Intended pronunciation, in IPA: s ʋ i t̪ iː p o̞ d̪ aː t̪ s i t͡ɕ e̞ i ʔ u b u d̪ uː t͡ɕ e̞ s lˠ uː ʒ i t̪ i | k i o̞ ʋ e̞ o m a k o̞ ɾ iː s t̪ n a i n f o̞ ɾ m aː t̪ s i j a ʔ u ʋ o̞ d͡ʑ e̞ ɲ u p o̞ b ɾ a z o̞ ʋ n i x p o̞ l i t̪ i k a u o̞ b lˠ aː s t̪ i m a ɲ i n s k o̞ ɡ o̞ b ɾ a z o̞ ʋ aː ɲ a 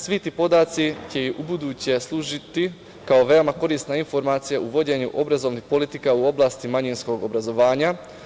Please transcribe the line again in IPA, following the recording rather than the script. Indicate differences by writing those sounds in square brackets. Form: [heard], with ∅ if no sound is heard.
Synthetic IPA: s ʋ i t̪ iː p o̞ d̪ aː t̪ s i t͡ɕ e̞ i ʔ u b u d̪ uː t͡ɕ e̞ s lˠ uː ʒ i t̪ i | k [a] o̞ ʋ e̞ o m a k o̞ ɾ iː s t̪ n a i n f o̞ ɾ m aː t̪ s i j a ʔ u ʋ o̞ d͡ʑ e̞ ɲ u [ʔ] o̞ b ɾ a z o̞ ʋ n i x p o̞ l i t̪ i k a u o̞ b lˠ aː s t̪ i m a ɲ i n s k o̞ ɡ o̞ b ɾ a z o̞ ʋ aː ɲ a